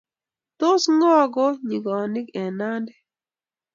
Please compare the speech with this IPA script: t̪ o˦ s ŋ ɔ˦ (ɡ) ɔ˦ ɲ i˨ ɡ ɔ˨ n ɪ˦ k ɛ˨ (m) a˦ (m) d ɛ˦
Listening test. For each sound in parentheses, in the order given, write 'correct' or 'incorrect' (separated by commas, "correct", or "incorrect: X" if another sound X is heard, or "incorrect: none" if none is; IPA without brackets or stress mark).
correct, incorrect: n, incorrect: n